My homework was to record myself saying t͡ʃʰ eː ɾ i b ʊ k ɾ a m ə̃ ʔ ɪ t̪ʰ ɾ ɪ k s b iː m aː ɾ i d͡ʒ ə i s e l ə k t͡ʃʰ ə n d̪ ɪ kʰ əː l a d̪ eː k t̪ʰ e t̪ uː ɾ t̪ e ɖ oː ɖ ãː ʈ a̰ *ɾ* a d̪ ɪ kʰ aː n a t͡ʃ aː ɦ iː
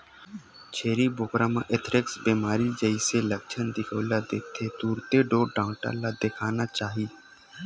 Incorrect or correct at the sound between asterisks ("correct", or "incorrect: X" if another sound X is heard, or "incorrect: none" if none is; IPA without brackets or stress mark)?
incorrect: l